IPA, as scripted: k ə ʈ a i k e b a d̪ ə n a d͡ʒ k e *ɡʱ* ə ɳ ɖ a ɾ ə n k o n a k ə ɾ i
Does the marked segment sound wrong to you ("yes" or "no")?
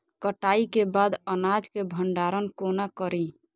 yes